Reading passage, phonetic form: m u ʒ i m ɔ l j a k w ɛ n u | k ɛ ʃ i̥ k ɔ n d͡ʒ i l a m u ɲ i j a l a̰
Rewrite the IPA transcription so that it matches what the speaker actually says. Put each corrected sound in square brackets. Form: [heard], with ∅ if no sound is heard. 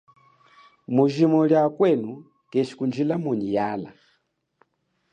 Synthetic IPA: m u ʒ i m ɔ l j a k w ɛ n u | k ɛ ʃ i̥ k [u] n d͡ʒ i l a m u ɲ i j a l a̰